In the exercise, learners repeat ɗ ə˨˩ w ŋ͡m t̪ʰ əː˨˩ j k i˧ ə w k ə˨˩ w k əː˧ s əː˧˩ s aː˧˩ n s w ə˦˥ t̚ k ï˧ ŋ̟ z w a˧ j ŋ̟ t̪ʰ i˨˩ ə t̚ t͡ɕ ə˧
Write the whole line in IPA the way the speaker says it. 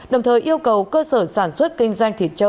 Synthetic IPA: ɗ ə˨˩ w ŋ͡m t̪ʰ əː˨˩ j ʔ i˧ ə w k ə˨˩ w k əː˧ s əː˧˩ s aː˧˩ n s w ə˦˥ t̚ k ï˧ ŋ̟ z w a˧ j ŋ̟ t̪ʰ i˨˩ ə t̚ t͡ɕ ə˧